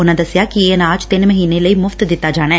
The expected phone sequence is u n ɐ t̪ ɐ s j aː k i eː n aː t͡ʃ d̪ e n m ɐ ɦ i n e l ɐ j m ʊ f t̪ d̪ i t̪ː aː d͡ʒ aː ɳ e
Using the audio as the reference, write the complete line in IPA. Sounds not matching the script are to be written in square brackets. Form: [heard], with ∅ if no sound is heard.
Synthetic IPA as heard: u n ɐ [d̪] ɐ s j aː k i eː n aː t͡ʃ [t̪] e n m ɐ ɦ i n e l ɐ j m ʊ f t̪ d̪ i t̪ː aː d͡ʒ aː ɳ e